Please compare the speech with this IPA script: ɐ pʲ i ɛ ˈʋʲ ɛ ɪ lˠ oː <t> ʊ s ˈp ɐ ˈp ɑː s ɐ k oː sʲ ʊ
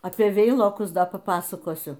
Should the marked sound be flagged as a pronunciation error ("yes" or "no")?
yes